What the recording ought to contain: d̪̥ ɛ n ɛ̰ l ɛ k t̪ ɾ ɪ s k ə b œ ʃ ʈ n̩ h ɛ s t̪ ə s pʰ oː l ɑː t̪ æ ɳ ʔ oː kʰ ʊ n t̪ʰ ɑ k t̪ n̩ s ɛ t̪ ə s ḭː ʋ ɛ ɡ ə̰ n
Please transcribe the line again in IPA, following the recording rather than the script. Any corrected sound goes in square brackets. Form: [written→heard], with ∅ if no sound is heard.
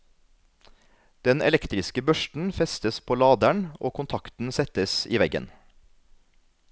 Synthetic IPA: d̪̥ ɛ n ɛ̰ l ɛ k t̪ ɾ ɪ s k ə b œ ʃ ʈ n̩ [h→f] ɛ s t̪ ə s pʰ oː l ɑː [t̪→d̪] æ ɳ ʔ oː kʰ ʊ n t̪ʰ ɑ k t̪ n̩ s ɛ t̪ ə s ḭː ʋ ɛ ɡ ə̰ n